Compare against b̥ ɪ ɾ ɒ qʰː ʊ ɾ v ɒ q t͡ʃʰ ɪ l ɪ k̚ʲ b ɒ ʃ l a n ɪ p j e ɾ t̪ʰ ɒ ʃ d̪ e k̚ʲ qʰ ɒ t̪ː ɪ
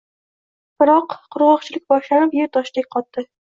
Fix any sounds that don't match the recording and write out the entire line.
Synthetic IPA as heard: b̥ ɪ ɾ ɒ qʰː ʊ ɾ ʁ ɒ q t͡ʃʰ ɪ l ɪ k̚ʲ b ɒ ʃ l a n ɪ p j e ɾ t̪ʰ ɒ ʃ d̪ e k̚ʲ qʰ ɒ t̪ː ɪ